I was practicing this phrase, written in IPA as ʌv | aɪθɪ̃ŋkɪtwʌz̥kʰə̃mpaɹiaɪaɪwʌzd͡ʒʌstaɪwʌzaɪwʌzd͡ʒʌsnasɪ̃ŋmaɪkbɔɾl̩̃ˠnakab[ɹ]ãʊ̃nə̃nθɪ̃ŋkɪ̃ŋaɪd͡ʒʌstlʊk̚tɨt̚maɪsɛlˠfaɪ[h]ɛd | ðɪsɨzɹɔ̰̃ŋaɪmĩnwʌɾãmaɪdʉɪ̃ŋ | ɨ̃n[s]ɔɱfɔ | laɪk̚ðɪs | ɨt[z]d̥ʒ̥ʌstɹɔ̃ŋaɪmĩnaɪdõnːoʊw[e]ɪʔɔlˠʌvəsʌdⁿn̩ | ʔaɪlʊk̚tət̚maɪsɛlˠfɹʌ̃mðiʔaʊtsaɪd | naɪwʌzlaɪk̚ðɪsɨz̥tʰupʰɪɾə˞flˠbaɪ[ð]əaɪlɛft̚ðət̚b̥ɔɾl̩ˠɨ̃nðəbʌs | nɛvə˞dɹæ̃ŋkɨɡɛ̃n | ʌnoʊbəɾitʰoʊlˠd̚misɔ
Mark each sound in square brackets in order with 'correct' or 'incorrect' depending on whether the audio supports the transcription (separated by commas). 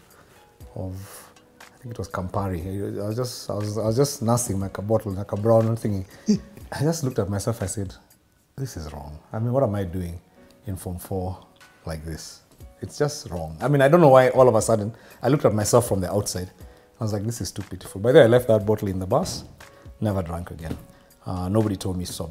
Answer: correct, incorrect, incorrect, incorrect, incorrect, correct